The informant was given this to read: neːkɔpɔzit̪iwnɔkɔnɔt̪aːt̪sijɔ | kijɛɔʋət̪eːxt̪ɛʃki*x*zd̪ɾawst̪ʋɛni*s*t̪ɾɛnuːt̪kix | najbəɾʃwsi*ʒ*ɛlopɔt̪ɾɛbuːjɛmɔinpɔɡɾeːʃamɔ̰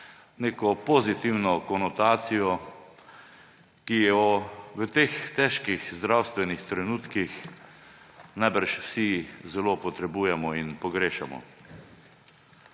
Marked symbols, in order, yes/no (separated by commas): yes, no, no